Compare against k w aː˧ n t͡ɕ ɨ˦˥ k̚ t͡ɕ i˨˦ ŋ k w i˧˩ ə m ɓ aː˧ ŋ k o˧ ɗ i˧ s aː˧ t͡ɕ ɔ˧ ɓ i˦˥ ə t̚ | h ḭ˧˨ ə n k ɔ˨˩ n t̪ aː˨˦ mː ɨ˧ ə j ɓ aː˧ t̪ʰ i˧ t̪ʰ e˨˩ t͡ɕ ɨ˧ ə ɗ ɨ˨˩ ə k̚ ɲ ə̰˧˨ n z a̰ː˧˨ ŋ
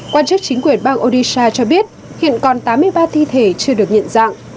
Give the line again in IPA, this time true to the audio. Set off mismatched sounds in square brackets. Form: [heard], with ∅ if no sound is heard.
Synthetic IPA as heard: k w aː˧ n t͡ɕ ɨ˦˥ k̚ t͡ɕ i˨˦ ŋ k w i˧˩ ə [n] ɓ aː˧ ŋ [ʔ] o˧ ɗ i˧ s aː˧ t͡ɕ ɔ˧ ɓ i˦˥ ə t̚ | h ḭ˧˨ ə n k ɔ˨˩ n t̪ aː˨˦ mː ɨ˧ ə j ɓ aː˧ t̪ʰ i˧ t̪ʰ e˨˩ t͡ɕ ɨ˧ ə ɗ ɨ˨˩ ə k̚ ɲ ə̰˧˨ n z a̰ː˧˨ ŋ

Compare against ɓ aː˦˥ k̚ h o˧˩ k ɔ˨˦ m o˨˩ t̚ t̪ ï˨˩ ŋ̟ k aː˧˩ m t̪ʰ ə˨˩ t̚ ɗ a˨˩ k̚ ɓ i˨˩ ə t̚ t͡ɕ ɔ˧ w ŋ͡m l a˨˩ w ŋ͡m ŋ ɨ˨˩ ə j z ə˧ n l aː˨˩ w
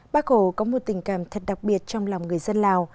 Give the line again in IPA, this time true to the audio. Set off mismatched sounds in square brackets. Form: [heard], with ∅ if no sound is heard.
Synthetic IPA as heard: ɓ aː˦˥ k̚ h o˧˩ k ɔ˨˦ m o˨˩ t̚ t̪ ï˨˩ ŋ̟ k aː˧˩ m t̪ʰ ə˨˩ t̚ ɗ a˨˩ k̚ ɓ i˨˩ ə t̚ t͡ɕ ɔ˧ w ŋ͡m l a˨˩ w ŋ͡m ŋ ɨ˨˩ ə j z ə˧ n l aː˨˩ w

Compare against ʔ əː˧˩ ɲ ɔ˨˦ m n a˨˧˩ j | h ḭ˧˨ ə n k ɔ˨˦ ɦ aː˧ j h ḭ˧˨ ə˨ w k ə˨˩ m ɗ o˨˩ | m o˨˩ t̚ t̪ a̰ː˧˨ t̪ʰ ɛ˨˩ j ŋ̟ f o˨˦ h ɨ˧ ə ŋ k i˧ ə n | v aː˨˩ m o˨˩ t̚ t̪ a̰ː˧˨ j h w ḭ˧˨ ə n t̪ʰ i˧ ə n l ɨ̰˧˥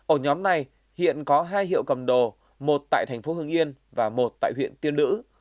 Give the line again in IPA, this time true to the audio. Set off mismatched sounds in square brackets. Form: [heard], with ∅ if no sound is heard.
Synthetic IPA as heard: ʔ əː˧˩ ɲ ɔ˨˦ m n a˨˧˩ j | h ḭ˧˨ ə n k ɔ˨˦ ɦ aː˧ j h ḭ˧˨ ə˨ w k ə˨˩ m ɗ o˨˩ | m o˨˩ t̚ t̪ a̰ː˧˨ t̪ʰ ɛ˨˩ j ŋ̟ f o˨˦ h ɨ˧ ə ŋ [ʔ] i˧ ə n | v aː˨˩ m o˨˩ t̚ t̪ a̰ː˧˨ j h w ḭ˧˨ ə n [t̪] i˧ ə n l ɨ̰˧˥

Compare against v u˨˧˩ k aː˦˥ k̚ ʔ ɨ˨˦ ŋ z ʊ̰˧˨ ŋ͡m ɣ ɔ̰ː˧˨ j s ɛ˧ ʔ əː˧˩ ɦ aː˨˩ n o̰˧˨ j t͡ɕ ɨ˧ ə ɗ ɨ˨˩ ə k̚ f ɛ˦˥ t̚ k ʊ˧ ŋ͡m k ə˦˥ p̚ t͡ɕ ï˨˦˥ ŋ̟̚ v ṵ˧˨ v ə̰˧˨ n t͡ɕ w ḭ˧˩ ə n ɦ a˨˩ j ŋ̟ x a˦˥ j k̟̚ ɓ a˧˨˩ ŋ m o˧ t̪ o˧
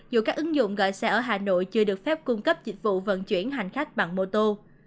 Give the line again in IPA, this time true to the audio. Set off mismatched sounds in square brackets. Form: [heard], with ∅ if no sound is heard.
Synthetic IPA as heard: [z] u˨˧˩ k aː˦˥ k̚ ʔ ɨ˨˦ ŋ z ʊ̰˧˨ ŋ͡m ɣ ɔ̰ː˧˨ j s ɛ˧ ʔ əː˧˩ ɦ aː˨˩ n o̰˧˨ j t͡ɕ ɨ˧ ə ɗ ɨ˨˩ ə k̚ f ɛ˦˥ [p̚] k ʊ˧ ŋ͡m k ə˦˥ p̚ t͡ɕ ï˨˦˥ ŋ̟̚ v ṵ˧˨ v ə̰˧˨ n t͡ɕ w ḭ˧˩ ə n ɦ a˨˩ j ŋ̟ x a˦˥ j k̟̚ ɓ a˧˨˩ ŋ m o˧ t̪ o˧

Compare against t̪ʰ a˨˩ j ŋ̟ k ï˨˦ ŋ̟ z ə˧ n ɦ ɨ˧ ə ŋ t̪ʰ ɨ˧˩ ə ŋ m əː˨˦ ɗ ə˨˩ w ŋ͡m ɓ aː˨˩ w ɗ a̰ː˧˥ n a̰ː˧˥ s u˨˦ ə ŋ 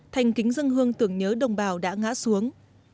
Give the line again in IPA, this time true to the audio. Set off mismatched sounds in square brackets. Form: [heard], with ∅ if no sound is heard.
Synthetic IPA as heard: t̪ʰ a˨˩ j ŋ̟ k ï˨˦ ŋ̟ z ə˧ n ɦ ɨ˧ ə ŋ [t̪] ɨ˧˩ ə ŋ [ɲ] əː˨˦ ɗ ə˨˩ w ŋ͡m ɓ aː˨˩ w ɗ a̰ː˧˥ [ŋ] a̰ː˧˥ s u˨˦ ə ŋ

